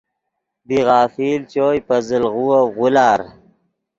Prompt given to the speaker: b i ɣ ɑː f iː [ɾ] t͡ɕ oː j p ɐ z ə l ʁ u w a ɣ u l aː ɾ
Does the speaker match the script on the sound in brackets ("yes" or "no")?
no